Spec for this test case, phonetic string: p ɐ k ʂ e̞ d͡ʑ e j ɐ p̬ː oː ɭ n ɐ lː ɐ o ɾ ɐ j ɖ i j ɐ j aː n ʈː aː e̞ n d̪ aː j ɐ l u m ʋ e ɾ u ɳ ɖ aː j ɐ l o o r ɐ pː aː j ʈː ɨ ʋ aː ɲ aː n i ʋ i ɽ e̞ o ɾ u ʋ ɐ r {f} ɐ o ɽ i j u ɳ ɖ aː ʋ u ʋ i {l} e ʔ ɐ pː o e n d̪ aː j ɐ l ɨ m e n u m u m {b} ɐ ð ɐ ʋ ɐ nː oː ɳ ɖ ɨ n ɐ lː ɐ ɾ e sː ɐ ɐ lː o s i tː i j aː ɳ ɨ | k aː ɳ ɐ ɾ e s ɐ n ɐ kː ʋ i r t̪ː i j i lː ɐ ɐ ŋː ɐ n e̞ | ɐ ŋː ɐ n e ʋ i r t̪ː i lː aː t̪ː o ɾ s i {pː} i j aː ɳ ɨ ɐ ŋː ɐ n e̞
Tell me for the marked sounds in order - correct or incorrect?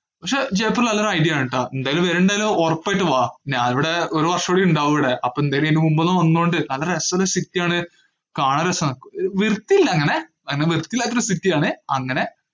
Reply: incorrect: ʂ, incorrect: ɽ, correct, incorrect: tː

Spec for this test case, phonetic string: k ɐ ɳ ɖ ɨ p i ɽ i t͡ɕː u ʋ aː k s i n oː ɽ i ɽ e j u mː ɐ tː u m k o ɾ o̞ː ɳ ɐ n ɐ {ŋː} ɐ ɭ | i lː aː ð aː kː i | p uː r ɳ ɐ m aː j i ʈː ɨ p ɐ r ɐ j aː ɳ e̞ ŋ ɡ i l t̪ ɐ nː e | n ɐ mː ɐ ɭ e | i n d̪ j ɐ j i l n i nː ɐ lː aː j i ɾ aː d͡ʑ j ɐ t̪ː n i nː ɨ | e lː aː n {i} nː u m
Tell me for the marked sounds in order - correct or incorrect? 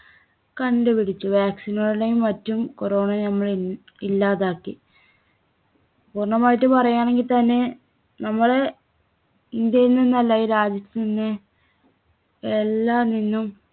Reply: incorrect: mː, correct

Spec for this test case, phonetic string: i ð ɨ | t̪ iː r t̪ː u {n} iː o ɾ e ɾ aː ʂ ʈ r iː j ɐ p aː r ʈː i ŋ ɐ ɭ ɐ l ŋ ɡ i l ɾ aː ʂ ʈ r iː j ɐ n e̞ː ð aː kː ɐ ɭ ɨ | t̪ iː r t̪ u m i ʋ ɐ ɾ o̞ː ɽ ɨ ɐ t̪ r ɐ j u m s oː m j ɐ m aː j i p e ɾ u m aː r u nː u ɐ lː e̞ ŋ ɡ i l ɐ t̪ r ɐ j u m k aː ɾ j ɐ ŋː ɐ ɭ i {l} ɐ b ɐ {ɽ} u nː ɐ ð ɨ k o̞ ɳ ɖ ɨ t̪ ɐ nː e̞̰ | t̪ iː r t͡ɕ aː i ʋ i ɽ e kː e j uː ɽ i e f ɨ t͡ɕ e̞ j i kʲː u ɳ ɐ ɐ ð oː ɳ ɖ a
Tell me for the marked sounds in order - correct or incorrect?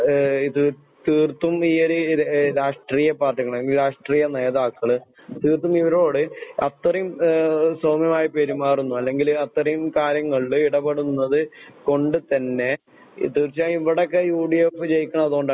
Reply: incorrect: m, incorrect: ɽ, correct

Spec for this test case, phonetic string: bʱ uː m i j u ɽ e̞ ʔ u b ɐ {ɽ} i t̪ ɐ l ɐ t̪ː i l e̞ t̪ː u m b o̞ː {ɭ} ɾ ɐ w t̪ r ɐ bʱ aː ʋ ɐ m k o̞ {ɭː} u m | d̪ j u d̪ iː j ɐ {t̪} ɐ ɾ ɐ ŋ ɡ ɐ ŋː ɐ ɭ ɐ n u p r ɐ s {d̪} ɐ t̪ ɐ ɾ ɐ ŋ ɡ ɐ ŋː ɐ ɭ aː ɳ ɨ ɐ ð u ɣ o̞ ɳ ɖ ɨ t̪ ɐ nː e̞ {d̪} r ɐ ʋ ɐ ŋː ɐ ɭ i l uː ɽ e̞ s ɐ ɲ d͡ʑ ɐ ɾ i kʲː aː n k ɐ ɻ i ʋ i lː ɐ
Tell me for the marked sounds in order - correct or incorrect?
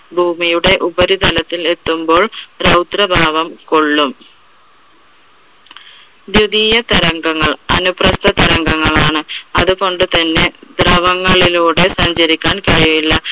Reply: incorrect: ɾ, correct, correct, correct, incorrect: t̪, correct

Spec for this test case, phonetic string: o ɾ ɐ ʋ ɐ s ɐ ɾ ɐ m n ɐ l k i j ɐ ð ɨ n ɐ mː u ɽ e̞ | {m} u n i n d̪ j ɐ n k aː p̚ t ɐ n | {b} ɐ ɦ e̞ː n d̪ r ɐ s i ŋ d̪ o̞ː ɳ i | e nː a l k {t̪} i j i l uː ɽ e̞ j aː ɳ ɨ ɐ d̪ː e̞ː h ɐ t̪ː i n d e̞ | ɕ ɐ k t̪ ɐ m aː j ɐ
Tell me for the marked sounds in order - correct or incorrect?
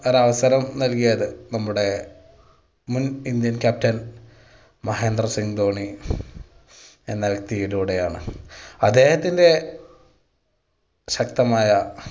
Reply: correct, incorrect: m, correct

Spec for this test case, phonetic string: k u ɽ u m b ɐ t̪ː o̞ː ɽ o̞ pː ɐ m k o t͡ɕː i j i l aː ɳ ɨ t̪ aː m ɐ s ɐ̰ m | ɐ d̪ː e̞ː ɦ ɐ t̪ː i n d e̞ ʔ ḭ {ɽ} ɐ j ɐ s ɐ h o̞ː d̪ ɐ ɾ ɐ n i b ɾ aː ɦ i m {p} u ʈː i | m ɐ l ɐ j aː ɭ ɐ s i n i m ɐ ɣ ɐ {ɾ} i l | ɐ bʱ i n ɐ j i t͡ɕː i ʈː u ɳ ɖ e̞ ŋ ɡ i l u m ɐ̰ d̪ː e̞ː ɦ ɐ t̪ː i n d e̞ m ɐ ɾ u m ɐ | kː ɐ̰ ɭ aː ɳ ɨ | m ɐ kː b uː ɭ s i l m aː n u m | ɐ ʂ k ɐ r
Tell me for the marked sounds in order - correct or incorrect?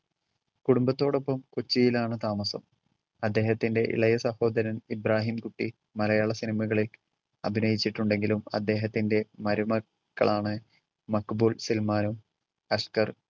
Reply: incorrect: ɭ, incorrect: k, incorrect: ɭ

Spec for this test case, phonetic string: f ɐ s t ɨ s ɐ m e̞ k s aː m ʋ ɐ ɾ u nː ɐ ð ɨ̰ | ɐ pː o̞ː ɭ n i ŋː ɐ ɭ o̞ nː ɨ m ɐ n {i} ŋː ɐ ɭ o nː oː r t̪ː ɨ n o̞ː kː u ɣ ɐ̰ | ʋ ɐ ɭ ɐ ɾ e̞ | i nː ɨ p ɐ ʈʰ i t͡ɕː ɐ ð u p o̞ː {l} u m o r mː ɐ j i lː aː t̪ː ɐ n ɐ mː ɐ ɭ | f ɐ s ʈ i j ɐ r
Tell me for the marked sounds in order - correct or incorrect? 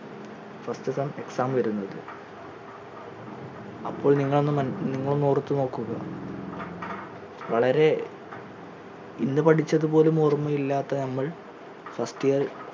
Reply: correct, correct

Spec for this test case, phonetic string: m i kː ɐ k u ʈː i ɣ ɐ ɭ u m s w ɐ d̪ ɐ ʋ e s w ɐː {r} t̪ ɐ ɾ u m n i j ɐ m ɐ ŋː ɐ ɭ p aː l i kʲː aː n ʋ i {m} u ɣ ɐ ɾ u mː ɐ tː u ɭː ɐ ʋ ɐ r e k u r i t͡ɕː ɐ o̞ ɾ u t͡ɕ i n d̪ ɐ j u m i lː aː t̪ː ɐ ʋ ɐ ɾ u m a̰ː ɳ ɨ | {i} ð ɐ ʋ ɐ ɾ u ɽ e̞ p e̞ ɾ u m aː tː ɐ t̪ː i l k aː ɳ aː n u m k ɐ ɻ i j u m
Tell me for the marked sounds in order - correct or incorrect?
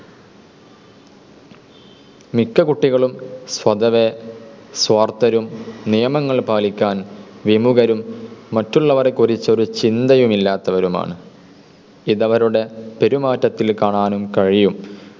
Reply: correct, correct, correct

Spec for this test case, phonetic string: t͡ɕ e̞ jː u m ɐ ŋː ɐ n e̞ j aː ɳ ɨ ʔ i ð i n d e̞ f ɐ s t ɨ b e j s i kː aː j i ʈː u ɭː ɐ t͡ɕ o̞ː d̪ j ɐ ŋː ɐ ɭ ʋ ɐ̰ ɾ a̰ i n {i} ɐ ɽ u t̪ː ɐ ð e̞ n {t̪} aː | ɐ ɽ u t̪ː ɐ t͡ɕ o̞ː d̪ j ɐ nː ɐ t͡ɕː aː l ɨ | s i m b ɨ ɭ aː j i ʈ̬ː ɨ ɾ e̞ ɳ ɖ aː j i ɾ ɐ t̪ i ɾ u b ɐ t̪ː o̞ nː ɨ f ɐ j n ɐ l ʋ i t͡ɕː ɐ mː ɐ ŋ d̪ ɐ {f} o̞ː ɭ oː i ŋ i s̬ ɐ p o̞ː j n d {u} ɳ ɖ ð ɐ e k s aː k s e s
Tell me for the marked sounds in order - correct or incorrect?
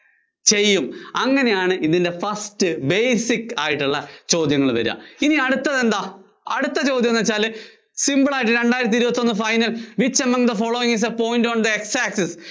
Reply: correct, incorrect: d̪, correct, incorrect: o

